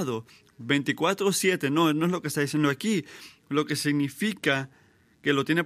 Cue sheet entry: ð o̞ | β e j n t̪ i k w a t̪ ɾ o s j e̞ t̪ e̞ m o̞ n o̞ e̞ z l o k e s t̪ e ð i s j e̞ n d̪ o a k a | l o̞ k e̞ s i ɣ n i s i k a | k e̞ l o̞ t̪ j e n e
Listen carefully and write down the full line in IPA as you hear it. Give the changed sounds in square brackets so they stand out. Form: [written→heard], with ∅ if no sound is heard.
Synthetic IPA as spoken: ð o̞ | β e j n t̪ i k w a t̪ ɾ o s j e̞ t̪ e̞ [m→n] o̞ n o̞ e̞ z l o k e s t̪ [e→a] ð i s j e̞ n d̪ o a k [a→i] | l o̞ k e̞ s i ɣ n i [s→f] i k a | k e̞ l o̞ t̪ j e n e